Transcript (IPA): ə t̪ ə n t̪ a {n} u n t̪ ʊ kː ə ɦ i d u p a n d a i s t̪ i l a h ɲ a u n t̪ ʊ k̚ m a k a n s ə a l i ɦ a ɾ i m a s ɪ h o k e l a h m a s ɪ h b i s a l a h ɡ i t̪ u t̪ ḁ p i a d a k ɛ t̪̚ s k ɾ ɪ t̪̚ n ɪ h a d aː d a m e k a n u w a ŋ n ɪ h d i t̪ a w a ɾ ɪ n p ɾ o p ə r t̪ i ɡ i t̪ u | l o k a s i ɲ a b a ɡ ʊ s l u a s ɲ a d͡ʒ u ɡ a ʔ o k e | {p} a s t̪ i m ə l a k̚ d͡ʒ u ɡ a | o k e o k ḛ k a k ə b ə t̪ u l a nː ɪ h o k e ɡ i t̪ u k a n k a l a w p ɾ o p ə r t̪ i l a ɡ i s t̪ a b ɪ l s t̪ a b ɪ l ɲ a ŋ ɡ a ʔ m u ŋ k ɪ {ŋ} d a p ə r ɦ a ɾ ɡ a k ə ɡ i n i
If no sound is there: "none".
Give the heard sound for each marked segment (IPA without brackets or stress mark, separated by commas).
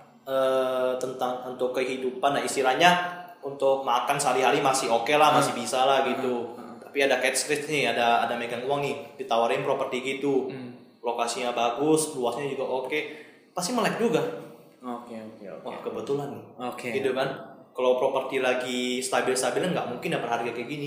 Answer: ŋ, p, n